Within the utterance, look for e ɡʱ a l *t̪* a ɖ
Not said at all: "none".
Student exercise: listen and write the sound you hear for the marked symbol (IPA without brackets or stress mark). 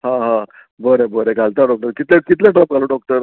t̪